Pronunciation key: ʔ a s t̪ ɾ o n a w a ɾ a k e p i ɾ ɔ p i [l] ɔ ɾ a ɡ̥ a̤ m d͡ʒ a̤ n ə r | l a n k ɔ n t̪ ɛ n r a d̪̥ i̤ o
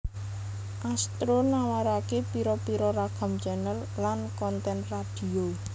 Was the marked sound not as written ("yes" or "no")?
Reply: yes